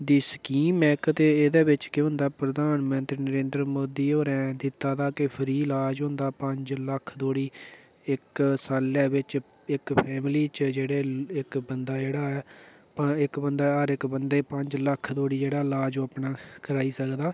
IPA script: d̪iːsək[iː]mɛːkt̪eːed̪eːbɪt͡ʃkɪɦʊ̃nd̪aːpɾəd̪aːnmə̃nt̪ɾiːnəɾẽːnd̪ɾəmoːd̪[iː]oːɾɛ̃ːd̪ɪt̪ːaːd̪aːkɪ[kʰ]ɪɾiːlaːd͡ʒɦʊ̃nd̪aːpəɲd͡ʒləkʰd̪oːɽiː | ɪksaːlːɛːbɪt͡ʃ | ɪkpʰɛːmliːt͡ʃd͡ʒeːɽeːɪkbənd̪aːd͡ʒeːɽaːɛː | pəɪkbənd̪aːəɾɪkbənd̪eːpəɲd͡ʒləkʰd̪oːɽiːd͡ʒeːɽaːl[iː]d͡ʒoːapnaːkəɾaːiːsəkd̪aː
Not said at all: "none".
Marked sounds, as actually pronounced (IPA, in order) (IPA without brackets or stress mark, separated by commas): iː, iː, pʰ, aː